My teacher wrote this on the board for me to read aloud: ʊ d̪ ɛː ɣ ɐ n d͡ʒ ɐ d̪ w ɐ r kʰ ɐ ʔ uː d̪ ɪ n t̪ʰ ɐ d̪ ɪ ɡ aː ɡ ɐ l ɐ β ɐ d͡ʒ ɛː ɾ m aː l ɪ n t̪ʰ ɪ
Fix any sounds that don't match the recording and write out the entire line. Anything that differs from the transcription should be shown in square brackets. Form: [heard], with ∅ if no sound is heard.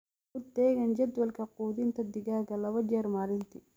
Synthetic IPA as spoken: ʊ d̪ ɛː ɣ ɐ n d͡ʒ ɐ d̪ w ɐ [l] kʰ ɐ [q] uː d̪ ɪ n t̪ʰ ɐ d̪ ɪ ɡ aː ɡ ɐ l ɐ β ɐ d͡ʒ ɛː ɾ m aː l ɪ n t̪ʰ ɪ